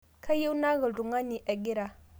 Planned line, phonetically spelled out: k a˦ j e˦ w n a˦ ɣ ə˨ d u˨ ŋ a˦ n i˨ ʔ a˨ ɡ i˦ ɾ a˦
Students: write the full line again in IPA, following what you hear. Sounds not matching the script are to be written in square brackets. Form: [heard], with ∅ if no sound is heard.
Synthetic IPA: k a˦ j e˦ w n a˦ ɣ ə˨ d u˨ ŋ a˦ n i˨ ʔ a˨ ɡ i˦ ɾ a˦